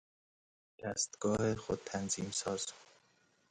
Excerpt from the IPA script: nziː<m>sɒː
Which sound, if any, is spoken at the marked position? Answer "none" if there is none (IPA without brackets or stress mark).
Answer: m